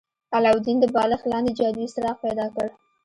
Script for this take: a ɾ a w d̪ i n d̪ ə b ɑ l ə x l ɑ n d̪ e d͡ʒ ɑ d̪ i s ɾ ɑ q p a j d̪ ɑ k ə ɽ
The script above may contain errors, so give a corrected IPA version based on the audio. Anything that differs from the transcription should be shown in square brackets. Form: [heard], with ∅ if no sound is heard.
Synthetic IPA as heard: a [l] a w d̪ i n d̪ ə b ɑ l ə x l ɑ n d̪ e d͡ʒ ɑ d̪ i s ɾ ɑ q p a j d̪ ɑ k ə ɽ